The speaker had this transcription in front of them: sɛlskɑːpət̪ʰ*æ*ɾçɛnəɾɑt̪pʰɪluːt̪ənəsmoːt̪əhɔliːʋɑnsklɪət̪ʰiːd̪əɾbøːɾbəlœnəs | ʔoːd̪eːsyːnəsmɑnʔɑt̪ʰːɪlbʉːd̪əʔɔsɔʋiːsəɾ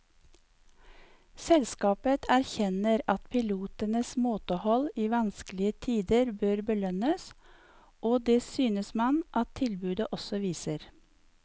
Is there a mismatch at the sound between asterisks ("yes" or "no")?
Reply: no